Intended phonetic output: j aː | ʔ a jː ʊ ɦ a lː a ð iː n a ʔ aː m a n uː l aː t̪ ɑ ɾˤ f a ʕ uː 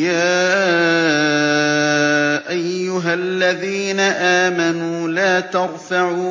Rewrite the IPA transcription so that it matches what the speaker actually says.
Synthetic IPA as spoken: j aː | ʔ a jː ʊ ɦ a lː a ð iː n a ʔ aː m a n uː l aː t̪ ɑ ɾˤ f a ʕ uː